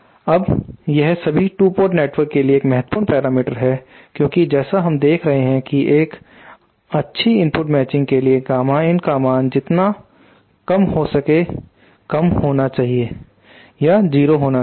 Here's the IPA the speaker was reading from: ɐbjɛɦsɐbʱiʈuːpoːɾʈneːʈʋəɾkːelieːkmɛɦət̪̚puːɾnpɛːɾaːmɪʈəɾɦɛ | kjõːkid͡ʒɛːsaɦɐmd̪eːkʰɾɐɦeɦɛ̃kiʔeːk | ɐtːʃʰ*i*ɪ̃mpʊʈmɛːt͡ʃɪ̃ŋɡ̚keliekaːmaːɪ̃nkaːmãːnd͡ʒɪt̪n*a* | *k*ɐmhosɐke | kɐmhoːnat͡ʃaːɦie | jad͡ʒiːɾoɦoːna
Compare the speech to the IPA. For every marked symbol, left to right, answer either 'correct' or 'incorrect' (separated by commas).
correct, correct, correct